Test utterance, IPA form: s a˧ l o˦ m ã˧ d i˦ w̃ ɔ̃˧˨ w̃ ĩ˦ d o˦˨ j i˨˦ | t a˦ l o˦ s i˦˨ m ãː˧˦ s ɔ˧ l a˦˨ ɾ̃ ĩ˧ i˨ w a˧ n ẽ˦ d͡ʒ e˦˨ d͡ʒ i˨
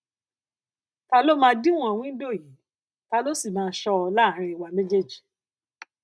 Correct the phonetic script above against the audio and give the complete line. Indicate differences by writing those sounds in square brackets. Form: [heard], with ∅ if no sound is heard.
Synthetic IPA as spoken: [t] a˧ l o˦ m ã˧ d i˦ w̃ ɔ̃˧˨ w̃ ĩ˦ d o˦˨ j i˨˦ | t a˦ l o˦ s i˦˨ m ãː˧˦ [ʃ] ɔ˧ l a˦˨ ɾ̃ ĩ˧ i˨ w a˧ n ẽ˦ d͡ʒ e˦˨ d͡ʒ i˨